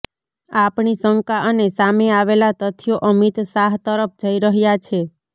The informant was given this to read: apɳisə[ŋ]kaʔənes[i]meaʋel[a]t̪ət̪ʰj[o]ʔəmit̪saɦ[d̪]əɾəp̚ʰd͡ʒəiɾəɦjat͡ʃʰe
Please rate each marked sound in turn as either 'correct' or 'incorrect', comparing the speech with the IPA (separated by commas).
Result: correct, incorrect, correct, correct, incorrect